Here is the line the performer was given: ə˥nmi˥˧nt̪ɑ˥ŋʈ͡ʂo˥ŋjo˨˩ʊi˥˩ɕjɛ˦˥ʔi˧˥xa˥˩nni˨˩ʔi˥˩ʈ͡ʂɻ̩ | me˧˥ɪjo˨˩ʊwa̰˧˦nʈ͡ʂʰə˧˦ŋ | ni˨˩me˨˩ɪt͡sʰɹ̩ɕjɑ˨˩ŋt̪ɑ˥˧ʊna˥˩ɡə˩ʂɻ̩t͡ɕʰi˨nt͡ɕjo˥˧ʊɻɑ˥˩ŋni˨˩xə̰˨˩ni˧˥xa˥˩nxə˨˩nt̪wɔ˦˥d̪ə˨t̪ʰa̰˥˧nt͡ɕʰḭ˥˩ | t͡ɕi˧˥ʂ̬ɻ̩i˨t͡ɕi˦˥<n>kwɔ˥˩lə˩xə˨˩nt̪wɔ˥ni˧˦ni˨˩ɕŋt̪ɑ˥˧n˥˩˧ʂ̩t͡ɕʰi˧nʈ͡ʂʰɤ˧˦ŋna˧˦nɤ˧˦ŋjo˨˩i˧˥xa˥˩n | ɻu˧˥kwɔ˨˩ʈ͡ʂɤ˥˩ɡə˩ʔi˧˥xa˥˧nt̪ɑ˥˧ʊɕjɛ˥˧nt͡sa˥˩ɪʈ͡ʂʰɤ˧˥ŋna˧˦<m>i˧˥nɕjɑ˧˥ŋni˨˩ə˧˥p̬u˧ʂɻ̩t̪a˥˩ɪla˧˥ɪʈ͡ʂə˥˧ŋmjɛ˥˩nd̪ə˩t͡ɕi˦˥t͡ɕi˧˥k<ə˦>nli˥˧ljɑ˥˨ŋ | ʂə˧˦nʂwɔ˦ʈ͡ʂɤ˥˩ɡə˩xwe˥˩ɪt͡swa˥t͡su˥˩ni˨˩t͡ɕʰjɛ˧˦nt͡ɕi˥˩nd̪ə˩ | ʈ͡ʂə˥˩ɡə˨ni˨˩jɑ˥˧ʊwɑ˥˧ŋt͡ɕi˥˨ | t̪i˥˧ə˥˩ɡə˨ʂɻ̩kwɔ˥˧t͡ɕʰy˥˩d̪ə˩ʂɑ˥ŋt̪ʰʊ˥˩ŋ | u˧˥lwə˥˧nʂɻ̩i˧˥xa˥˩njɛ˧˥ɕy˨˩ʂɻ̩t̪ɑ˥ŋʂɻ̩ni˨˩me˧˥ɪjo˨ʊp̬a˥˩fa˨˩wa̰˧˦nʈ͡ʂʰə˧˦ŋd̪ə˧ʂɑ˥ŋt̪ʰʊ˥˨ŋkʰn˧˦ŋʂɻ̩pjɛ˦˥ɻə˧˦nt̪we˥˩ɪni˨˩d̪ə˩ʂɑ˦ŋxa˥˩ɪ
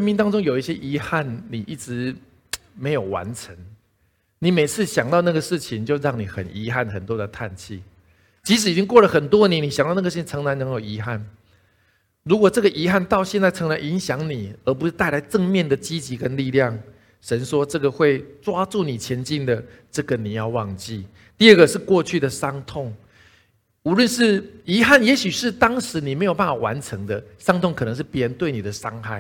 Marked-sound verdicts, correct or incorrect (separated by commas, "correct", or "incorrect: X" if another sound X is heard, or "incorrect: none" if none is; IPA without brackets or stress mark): incorrect: ŋ, incorrect: n, correct